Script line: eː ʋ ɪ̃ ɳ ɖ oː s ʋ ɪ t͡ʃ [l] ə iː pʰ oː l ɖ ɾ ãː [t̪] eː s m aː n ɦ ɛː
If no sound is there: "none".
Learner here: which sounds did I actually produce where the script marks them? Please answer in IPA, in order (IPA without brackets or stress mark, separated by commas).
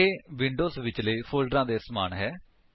l, d̪